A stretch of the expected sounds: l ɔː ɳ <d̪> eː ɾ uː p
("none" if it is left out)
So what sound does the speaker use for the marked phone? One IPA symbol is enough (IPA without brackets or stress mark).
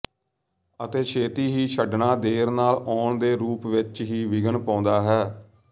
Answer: d̪